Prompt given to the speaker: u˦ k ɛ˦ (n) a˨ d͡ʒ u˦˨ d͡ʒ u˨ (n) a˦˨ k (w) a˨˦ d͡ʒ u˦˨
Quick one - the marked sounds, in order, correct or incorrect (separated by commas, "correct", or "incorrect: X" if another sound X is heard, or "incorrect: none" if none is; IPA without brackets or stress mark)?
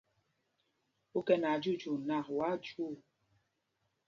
correct, correct, correct